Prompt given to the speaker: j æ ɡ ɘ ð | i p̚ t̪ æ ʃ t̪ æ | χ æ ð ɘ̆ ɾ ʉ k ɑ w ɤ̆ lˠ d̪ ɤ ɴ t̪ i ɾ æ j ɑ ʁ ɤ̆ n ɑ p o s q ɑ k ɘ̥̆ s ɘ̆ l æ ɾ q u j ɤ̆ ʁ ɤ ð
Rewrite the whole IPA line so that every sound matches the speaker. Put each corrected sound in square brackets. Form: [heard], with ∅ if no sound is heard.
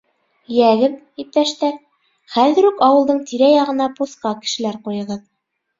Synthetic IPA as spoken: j æ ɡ ɘ ð | i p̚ t̪ æ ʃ t̪ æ | χ æ ð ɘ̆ ɾ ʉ k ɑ w ɤ̆ lˠ d̪ ɤ ɴ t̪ i ɾ æ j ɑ ʁ ɤ̆ n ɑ p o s q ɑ k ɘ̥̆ [ʃ] ɘ̆ l æ ɾ q u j ɤ̆ ʁ ɤ ð

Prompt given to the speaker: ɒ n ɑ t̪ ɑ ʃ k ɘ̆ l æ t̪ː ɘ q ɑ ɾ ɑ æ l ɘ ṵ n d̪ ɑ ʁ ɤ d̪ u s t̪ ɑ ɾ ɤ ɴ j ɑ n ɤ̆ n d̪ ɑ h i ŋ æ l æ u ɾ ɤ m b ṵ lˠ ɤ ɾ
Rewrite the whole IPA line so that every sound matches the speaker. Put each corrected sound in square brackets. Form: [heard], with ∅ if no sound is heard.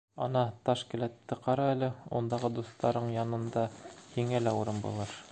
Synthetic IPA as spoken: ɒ n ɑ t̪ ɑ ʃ k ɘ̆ l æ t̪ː ɘ q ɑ ɾ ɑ æ l ɘ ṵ n d̪ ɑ ʁ ɤ d̪ u s t̪ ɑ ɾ ɤ ɴ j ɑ n ɤ̆ n d̪ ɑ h i ŋ æ l æ u ɾ ɤ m b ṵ lˠ ɤ ɾ

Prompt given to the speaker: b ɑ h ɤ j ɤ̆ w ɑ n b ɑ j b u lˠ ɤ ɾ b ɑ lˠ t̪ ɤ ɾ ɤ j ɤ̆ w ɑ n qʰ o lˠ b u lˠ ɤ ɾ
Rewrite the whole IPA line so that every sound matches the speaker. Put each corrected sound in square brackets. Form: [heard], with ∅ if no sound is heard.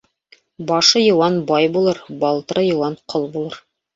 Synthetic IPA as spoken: b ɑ [ʃ] ɤ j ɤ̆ w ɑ n b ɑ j b u lˠ ɤ ɾ b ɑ lˠ t̪ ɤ ɾ ɤ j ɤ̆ w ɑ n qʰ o lˠ b u lˠ ɤ ɾ

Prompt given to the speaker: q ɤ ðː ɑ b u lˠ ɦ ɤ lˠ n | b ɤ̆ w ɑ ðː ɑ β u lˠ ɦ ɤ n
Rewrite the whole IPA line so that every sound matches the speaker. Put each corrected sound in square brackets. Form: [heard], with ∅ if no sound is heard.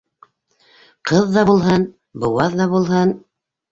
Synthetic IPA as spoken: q ɤ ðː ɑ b u lˠ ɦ ɤ [∅] n | b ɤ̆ w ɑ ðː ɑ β u lˠ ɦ ɤ n

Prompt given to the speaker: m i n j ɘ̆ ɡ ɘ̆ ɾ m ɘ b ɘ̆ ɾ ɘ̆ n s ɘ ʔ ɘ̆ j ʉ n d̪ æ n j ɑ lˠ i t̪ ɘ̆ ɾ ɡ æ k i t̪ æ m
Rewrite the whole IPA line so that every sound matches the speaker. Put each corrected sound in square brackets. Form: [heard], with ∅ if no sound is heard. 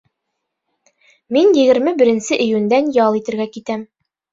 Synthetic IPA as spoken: m i n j ɘ̆ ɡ ɘ̆ ɾ m ɘ b ɘ̆ ɾ ɘ̆ n s ɘ ʔ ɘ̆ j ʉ n d̪ æ n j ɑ lˠ i t̪ ɘ̆ ɾ ɡ æ k i t̪ æ m

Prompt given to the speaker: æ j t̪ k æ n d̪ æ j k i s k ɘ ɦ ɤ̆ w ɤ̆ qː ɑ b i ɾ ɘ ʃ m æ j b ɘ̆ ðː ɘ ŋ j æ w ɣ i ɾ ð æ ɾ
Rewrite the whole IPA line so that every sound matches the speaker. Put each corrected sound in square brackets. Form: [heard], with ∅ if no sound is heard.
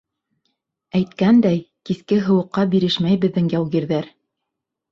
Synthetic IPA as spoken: æ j t̪ k æ n d̪ æ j k i s k ɘ ɦ ɤ̆ w ɤ̆ qː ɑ b i ɾ ɘ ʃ m æ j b ɘ̆ ðː ɘ ŋ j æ w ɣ i ɾ ð æ ɾ

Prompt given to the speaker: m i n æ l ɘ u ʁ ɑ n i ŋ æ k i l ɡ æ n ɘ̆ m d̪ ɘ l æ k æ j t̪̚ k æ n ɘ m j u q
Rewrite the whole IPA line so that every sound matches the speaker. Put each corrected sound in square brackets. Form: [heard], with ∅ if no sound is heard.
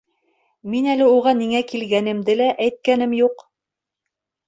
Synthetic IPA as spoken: m i n æ l ɘ u ʁ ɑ n i ŋ æ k i l ɡ æ n ɘ̆ m d̪ ɘ l æ [ʔ] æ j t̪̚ k æ n ɘ m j u q

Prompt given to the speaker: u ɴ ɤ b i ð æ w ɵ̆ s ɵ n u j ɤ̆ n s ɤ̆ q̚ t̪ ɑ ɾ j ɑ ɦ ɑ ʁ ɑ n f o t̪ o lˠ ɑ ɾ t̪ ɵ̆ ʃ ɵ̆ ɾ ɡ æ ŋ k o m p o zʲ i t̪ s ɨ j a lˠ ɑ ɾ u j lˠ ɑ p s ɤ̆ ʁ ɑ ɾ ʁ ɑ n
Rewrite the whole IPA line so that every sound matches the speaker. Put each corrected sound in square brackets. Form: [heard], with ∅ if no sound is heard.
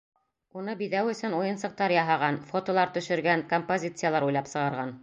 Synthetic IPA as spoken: u [n] ɤ b i ð æ w ɵ̆ s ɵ n u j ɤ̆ n s ɤ̆ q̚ t̪ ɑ ɾ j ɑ ɦ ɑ ʁ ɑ n f o t̪ o lˠ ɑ ɾ t̪ ɵ̆ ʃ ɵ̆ ɾ ɡ æ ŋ k o m p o zʲ i t̪ s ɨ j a lˠ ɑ ɾ u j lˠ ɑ p s ɤ̆ ʁ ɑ ɾ ʁ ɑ n

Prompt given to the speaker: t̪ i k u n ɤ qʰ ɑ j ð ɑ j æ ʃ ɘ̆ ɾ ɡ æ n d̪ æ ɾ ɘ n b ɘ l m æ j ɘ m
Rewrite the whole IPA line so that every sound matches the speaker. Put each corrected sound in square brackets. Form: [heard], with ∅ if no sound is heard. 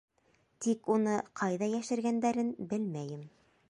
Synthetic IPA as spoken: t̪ i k u n ɤ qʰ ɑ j ð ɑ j æ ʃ ɘ̆ ɾ ɡ æ n d̪ æ ɾ ɘ n b ɘ l m æ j ɘ m

